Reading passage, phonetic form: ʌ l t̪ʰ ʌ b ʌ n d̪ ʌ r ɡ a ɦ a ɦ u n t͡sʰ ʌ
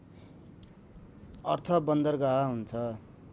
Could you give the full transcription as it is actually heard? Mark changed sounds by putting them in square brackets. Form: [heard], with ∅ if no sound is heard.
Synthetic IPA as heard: ʌ [r] t̪ʰ ʌ b ʌ n d̪ ʌ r ɡ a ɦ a ɦ u n t͡sʰ ʌ